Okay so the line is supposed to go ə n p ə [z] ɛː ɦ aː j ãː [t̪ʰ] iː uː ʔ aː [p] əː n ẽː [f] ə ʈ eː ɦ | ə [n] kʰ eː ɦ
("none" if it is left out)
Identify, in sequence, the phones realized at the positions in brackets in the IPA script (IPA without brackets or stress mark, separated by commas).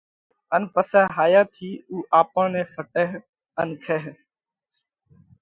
s, t̪ʰ, p, f, n